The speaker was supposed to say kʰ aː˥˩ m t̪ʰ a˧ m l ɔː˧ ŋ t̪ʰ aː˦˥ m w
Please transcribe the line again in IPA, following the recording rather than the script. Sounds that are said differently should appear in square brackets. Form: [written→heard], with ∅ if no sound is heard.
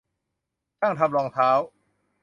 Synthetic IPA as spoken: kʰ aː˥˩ [m→ŋ] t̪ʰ a˧ m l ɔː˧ ŋ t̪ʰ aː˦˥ [m→∅] w

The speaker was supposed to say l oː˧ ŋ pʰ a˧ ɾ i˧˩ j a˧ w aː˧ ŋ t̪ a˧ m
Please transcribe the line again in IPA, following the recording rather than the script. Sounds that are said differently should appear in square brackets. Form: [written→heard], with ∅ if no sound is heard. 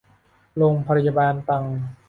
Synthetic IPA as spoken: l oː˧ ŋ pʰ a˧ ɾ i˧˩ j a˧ [w→b] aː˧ [ŋ→n] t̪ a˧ [m→ŋ]

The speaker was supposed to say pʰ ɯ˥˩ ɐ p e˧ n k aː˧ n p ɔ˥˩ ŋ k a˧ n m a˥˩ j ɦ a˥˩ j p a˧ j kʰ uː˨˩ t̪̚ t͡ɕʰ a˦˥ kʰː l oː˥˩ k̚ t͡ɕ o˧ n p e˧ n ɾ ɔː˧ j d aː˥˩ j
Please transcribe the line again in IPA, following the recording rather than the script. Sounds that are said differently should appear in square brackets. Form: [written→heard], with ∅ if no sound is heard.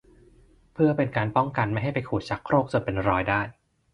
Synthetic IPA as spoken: pʰ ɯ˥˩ ɐ p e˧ n k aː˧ n p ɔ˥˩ ŋ k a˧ n m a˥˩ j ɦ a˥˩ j p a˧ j kʰ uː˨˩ t̪̚ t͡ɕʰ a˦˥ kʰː [l→ɾ] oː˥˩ k̚ t͡ɕ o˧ n p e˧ n ɾ ɔː˧ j d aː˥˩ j

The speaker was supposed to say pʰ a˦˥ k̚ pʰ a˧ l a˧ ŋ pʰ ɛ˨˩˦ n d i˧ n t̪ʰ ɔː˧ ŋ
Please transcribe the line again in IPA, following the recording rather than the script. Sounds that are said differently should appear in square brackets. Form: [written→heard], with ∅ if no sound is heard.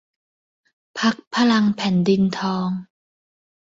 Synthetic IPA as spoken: pʰ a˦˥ k̚ pʰ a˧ l a˧ ŋ pʰ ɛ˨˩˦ n d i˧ n t̪ʰ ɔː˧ ŋ

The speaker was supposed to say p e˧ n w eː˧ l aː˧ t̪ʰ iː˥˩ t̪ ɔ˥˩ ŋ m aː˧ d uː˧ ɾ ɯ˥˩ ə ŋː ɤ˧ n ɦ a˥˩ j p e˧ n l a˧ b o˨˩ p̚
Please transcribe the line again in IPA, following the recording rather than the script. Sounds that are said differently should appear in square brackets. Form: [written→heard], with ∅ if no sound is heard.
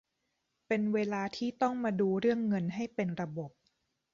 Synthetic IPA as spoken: p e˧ n w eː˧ l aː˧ t̪ʰ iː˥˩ t̪ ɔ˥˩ ŋ m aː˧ d uː˧ ɾ ɯ˥˩ ə ŋː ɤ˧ n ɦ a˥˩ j p e˧ n [l→ɾ] a˧ b o˨˩ p̚

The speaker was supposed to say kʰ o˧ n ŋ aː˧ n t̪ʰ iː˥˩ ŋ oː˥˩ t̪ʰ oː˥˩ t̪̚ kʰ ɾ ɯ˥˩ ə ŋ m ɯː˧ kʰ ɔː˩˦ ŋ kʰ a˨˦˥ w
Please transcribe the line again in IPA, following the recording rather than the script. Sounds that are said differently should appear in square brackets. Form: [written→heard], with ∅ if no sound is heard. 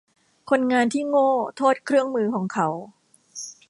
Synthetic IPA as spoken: kʰ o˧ n ŋ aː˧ n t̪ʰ iː˥˩ ŋ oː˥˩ t̪ʰ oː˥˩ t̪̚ kʰ ɾ ɯ˥˩ ə ŋ m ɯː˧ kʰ ɔː˩˦ ŋ kʰ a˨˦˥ w

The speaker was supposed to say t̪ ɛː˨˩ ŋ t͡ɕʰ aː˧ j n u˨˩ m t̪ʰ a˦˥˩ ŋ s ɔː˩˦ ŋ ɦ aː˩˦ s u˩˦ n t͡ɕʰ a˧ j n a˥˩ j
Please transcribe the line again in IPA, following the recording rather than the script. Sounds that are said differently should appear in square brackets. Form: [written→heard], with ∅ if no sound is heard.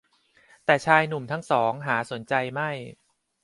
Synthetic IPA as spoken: t̪ ɛː˨˩ [ŋ→∅] t͡ɕʰ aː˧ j n u˨˩ m t̪ʰ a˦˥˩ ŋ s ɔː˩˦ ŋ ɦ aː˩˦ s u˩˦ n [t͡ɕʰ→t͡ɕ] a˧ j [n→m] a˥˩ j

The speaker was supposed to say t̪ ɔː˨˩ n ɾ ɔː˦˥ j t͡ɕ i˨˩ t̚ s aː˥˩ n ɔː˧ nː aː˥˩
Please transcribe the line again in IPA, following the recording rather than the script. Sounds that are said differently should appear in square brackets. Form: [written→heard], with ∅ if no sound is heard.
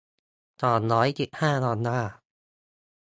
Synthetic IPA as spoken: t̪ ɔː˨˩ n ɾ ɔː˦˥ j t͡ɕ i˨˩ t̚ [s→h] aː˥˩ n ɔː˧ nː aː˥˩

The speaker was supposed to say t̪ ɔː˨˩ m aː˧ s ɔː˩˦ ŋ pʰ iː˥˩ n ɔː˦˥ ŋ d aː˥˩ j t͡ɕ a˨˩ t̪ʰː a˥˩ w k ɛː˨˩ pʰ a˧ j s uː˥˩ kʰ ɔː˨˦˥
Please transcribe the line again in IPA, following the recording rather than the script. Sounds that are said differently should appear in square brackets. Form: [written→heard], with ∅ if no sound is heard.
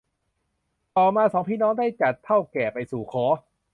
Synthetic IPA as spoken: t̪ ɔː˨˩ m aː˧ s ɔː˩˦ ŋ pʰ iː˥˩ n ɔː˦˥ ŋ d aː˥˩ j t͡ɕ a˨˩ t̪ʰː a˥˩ w k ɛː˨˩ [pʰ→p] a˧ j s [uː˥˩→uː˨˩] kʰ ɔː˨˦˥

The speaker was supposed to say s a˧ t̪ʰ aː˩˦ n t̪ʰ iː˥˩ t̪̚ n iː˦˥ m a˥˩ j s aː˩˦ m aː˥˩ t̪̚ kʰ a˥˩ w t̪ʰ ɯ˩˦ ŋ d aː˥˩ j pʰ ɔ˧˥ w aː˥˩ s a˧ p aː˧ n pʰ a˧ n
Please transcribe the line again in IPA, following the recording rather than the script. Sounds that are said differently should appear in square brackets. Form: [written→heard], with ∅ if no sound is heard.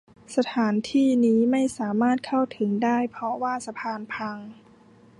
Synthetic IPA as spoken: s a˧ t̪ʰ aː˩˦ n t̪ʰ iː˥˩ [t̪̚→∅] n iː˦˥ m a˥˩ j s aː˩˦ m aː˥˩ t̪̚ kʰ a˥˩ w t̪ʰ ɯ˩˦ ŋ d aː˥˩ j pʰ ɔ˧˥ w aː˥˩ s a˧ [p→pʰ] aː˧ n pʰ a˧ [n→ŋ]

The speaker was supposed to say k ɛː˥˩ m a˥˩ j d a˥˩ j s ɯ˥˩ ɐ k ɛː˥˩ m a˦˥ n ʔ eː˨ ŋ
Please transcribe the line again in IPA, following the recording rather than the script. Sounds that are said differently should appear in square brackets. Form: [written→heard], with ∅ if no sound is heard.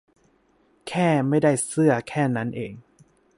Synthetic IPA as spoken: [k→kʰ] ɛː˥˩ m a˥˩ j d a˥˩ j s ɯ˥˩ ɐ [k→kʰ] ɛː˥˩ [m→n] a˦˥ n ʔ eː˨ ŋ

